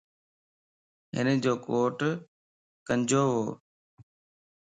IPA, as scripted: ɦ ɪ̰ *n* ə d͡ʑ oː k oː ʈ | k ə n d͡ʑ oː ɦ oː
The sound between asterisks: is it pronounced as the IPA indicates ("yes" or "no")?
yes